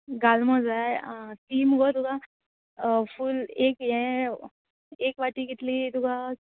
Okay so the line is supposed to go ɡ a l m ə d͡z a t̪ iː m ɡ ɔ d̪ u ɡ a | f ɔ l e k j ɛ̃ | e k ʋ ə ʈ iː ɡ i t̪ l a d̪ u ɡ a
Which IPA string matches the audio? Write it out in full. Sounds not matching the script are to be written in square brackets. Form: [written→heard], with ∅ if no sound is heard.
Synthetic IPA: ɡ a l m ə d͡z a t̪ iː m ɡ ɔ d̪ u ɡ a | f [ɔ→u] l e k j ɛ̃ | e k ʋ [ə→a] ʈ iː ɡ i t̪ l [a→i] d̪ u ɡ a